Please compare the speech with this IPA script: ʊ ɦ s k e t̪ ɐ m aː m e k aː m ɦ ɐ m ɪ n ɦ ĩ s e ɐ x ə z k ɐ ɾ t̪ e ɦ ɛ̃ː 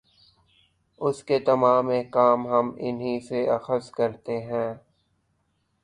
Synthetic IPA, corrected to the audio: ʊ s k e t̪ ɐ m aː m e k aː m ɦ ɐ m ɪ n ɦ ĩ s e ɐ x ə s k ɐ ɾ t̪ e ɦ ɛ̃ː